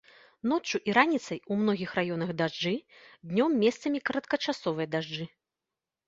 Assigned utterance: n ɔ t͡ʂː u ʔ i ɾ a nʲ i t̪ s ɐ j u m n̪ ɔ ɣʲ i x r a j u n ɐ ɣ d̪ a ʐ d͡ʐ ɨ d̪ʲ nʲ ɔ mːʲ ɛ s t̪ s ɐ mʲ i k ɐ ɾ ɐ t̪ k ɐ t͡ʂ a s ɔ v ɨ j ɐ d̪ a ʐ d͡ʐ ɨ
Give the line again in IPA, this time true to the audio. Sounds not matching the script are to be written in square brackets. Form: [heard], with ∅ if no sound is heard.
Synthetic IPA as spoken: n ɔ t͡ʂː u ʔ i ɾ a nʲ i t̪ s ɐ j u m n̪ ɔ ɣʲ i x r a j [ɔ] n ɐ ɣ d̪ a ʐ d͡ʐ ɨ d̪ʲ nʲ ɔ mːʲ ɛ s t̪ s ɐ mʲ i k ɐ ɾ ɐ t̪ k ɐ t͡ʂ a s ɔ v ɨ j ɐ d̪ a ʐ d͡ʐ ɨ